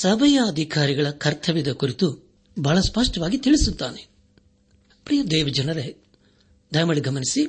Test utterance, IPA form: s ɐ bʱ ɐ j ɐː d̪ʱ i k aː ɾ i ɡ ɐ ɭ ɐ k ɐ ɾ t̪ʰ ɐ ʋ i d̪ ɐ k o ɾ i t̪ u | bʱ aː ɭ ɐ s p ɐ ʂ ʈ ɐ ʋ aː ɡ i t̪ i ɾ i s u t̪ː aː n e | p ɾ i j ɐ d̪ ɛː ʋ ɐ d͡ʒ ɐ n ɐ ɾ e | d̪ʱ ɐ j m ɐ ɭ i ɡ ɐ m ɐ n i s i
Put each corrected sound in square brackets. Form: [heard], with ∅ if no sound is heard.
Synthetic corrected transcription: s ɐ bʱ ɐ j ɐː d̪ʱ i k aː ɾ i ɡ ɐ ɭ ɐ k ɐ ɾ t̪ʰ ɐ ʋ i d̪ ɐ k [u] ɾ i t̪ u | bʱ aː ɭ ɐ s p ɐ ʂ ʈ ɐ ʋ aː ɡ i t̪ i [ɭ] i s u t̪ː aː n e | p ɾ i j ɐ d̪ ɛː ʋ ɐ d͡ʒ ɐ n ɐ ɾ e | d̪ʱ ɐ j m ɐ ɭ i ɡ ɐ m ɐ n i s i